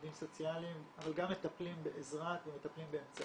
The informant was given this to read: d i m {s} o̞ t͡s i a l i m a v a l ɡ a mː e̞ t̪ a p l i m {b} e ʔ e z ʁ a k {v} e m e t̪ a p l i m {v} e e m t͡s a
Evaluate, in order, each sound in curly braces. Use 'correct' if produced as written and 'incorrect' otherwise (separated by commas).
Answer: correct, correct, correct, incorrect